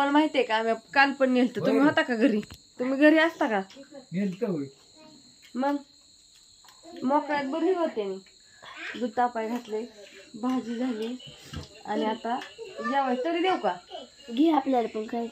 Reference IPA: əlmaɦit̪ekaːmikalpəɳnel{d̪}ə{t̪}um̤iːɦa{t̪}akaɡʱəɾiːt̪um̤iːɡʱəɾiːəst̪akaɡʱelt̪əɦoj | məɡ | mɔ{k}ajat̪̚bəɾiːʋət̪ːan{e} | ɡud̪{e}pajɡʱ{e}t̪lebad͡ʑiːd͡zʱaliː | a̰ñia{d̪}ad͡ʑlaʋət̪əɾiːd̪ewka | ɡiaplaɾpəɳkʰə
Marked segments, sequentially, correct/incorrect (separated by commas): incorrect, correct, correct, correct, incorrect, incorrect, incorrect, incorrect